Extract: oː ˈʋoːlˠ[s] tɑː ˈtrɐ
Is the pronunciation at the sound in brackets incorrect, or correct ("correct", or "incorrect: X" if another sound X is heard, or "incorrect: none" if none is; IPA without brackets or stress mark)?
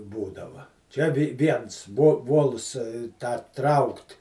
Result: correct